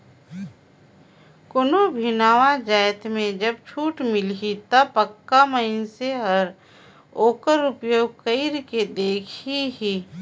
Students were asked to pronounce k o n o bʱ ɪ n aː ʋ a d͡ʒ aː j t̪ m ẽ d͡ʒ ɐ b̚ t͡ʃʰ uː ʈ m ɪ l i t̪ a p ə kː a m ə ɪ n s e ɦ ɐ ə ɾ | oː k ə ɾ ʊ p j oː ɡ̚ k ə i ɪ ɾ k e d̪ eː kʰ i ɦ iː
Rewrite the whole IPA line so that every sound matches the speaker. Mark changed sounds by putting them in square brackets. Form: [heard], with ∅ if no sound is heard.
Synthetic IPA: k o n o bʱ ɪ n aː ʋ a d͡ʒ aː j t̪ m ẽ d͡ʒ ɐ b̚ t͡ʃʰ uː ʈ m ɪ l i t̪ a p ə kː a m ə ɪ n s e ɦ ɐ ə ɾ | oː k ə ɾ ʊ p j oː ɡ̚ k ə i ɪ ɾ k e d̪ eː kʰ i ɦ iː